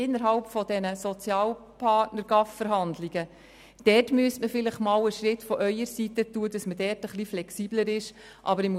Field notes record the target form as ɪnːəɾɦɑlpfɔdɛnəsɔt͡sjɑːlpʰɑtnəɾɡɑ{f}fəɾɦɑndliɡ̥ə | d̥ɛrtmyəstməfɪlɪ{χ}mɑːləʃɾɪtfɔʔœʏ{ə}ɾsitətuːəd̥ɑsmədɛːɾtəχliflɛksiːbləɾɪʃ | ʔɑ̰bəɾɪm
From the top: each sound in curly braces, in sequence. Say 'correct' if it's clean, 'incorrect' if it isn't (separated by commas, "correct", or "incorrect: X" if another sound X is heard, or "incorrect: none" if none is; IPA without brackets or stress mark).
correct, correct, correct